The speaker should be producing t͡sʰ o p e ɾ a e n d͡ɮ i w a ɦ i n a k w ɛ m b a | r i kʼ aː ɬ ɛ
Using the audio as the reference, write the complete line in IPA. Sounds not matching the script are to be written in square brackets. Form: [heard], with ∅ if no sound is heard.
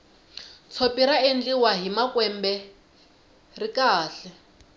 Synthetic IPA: t͡sʰ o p [i] ɾ a e n d͡ɮ i w a ɦ i [m] a k w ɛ m b [ɛ] | r i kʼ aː ɬ ɛ